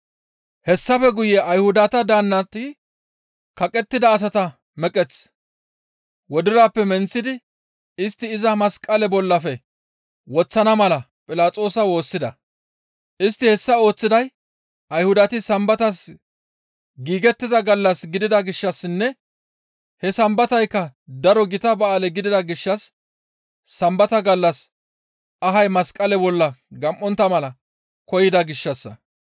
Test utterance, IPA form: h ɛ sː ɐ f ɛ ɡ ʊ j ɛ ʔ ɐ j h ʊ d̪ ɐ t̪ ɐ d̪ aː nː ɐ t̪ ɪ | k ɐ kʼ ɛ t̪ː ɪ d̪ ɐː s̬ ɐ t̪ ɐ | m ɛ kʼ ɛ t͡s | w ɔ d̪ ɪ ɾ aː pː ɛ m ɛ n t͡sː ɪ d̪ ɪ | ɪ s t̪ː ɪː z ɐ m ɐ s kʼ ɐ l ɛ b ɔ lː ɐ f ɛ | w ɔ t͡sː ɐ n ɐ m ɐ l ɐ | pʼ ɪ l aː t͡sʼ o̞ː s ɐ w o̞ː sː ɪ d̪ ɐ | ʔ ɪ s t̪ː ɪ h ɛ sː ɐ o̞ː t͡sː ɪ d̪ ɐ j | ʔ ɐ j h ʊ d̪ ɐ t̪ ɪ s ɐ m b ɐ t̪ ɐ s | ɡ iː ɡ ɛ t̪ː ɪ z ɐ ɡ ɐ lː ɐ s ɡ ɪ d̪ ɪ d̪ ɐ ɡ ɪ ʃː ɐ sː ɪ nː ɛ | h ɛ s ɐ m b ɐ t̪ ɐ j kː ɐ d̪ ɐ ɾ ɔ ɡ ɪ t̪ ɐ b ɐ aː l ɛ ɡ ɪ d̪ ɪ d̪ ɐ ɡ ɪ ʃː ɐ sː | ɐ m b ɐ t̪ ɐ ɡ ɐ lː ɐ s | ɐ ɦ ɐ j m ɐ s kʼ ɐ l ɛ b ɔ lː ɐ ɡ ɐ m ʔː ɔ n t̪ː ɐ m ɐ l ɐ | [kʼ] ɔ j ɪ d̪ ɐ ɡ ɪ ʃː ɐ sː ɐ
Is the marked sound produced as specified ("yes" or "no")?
no